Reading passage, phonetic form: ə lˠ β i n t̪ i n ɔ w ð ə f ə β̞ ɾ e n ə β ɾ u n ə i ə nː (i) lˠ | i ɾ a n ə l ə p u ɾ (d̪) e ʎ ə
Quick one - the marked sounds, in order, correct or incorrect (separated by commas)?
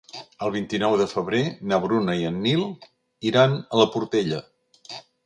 correct, incorrect